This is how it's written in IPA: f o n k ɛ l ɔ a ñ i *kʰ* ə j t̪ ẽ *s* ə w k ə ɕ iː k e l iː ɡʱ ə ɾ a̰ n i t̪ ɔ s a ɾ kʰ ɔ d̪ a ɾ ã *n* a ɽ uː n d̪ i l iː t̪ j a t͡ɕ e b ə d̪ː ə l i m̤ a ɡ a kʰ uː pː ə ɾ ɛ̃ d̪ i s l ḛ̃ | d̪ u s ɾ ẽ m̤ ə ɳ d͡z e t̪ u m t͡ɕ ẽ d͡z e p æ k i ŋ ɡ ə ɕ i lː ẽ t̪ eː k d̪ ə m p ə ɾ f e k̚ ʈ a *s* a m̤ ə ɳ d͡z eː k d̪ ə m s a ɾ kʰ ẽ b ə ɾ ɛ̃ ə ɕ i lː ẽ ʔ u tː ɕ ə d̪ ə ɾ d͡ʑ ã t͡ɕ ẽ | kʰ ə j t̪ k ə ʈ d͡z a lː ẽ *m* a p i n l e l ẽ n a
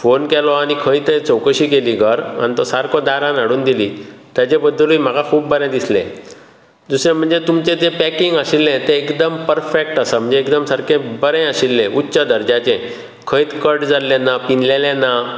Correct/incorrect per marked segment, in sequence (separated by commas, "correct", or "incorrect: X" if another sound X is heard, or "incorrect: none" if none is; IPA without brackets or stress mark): correct, incorrect: t͡s, correct, correct, incorrect: n